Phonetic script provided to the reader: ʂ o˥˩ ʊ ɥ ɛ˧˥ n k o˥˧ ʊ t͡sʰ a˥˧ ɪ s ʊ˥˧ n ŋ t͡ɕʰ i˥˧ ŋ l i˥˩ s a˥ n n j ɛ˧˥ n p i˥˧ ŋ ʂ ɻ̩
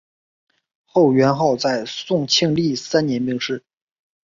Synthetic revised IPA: x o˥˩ ʊ ɥ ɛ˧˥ n x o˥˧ ʊ t͡s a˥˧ ɪ s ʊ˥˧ ŋ t͡ɕʰ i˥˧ ŋ l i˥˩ s a˥ n n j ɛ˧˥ n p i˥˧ ŋ ʂ ɻ̩